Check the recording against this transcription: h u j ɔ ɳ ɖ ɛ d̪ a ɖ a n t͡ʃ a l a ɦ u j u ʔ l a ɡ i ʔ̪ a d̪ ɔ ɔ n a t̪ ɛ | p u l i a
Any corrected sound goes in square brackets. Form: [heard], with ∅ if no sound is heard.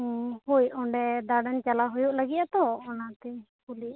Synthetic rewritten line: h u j ɔ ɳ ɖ ɛ d̪ a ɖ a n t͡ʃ a l a ɦ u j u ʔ l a ɡ i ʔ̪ a [t̪] ɔ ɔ n a t̪ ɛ | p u l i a